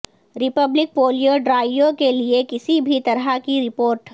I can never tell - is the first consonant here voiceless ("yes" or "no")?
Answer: no